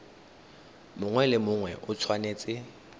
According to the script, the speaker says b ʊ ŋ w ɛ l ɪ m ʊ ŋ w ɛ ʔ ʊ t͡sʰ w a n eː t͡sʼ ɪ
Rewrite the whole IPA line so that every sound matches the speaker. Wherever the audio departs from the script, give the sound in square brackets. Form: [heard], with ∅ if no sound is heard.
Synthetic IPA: [m] ʊ ŋ w ɛ l ɪ m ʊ ŋ w ɛ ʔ ʊ t͡sʰ w a n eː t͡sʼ ɪ